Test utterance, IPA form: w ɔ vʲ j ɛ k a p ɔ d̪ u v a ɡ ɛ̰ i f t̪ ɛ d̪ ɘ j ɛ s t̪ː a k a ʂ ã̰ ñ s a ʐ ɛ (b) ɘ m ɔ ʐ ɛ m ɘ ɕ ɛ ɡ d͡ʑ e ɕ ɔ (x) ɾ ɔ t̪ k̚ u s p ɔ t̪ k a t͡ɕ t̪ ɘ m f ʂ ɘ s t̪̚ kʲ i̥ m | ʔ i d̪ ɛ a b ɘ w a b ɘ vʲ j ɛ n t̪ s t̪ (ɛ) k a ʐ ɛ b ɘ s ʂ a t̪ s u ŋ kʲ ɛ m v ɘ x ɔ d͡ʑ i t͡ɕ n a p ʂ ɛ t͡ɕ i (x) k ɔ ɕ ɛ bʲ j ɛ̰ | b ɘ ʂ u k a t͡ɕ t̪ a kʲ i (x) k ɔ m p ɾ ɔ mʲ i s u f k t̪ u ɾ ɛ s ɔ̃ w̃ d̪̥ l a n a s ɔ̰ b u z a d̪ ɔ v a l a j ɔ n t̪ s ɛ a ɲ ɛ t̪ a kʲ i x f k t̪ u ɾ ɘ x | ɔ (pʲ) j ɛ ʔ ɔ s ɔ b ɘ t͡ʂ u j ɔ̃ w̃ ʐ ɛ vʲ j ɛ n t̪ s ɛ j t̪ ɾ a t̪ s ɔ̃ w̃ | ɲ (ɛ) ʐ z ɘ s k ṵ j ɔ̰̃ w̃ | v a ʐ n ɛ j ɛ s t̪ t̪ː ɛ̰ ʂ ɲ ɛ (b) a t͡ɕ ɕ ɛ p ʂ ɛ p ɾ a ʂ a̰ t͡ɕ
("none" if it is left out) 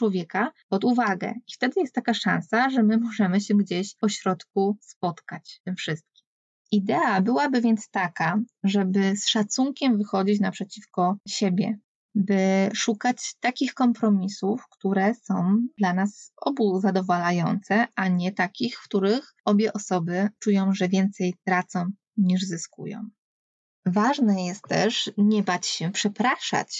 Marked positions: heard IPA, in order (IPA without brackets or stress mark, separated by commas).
m, ɕ, a, f, x, bʲ, i, b